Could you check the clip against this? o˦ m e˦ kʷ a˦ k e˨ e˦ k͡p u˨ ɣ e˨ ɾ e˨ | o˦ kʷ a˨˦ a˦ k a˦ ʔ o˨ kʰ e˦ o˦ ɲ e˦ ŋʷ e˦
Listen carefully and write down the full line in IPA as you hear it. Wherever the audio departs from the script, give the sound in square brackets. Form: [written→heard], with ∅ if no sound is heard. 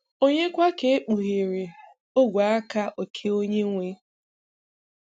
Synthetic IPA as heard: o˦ [m→ɲ] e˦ kʷ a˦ k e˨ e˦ k͡p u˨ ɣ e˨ ɾ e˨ | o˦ [kʷ→ɡʷ] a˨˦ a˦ k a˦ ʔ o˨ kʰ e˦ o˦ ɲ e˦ ŋʷ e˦